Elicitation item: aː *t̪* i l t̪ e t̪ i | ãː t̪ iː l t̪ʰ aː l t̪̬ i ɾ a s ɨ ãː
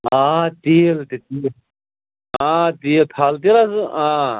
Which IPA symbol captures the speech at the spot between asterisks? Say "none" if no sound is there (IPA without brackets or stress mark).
t̪